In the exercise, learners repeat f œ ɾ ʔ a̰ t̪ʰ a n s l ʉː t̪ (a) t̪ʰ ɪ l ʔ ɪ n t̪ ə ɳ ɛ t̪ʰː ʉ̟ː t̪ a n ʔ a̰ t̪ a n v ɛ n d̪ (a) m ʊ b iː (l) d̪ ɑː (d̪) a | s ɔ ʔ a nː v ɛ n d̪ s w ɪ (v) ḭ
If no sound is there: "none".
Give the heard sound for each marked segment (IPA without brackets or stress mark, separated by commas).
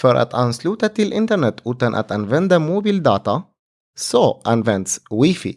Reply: a, a, l, t̪, f